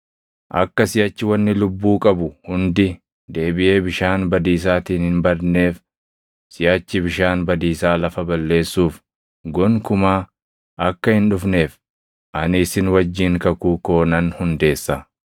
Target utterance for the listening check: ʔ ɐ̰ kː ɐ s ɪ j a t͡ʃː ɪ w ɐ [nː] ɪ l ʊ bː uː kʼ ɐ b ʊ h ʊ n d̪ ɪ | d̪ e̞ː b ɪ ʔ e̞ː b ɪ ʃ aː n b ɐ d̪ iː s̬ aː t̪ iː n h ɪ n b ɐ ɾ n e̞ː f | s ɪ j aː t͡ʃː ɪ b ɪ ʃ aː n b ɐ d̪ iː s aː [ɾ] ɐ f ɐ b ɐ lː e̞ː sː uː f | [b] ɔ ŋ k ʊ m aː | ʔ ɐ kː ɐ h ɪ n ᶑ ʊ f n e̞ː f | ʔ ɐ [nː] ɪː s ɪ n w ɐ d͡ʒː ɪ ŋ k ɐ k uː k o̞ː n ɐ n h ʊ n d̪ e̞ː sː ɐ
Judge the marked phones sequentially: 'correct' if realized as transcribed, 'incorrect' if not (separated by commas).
correct, incorrect, incorrect, incorrect